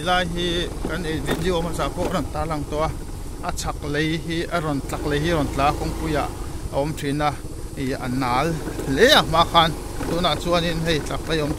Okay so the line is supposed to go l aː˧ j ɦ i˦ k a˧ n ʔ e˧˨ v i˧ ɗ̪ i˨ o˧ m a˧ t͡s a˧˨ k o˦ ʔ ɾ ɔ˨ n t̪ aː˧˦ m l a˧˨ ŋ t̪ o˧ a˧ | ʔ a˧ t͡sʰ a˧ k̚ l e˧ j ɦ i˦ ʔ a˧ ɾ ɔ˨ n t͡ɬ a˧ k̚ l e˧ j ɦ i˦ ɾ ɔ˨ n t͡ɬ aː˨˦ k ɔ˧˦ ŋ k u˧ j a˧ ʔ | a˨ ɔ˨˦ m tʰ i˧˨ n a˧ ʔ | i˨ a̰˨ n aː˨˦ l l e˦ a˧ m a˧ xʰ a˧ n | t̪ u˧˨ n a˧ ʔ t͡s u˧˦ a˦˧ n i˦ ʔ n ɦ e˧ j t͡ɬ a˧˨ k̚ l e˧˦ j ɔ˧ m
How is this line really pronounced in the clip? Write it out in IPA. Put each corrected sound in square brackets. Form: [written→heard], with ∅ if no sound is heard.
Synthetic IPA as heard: l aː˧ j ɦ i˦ k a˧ n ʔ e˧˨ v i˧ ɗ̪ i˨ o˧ m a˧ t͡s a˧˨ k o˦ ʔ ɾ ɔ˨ n t̪ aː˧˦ [m→∅] l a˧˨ ŋ t̪ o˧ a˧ | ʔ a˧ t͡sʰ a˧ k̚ l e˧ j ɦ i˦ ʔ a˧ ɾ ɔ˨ n t͡ɬ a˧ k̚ l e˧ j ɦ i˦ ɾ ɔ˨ n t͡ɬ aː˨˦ k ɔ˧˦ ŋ k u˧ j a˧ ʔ | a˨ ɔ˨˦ m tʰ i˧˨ n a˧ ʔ | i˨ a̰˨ n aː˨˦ l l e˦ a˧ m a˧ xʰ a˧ n | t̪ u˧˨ n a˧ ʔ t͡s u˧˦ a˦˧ n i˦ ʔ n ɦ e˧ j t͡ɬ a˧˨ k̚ l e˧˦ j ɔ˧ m